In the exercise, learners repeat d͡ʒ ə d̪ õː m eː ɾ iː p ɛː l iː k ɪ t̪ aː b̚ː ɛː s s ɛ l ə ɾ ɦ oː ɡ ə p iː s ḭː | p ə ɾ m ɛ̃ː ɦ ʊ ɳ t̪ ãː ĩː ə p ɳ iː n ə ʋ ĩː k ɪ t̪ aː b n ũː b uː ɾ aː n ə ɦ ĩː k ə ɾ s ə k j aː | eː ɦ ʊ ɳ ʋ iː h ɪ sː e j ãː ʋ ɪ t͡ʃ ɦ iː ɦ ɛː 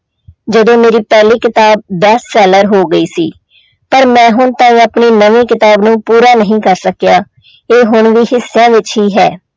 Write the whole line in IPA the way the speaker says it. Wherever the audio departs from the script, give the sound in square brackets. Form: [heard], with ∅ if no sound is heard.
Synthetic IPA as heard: d͡ʒ ə d̪ õː m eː ɾ iː p ɛː l iː k ɪ t̪ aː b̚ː ɛː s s [ɛː] l ə ɾ ɦ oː ɡ ə [∅] iː s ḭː | p ə ɾ m ɛ̃ː ɦ ʊ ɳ t̪ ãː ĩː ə p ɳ iː n ə ʋ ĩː k ɪ t̪ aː b n ũː [p] uː ɾ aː n ə ɦ ĩː k ə ɾ s ə k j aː | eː ɦ ʊ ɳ ʋ iː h ɪ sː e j ãː ʋ ɪ t͡ʃ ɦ iː ɦ ɛː